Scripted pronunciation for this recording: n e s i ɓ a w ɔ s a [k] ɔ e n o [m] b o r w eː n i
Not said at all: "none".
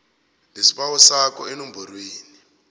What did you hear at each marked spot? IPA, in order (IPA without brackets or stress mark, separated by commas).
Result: k, m